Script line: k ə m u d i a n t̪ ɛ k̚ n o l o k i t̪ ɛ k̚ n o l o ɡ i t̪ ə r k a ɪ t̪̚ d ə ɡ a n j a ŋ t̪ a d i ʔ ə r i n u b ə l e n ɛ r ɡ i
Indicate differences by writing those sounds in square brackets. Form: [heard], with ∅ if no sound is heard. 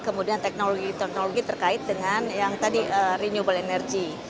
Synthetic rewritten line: k ə m u d i a n t̪ ɛ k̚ n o l o [ɡ] i t̪ ɛ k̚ n o l o ɡ i t̪ ə r k a ɪ t̪̚ d ə [ŋ] a n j a ŋ t̪ a d i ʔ ə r i [ɲ] u b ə l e n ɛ r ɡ i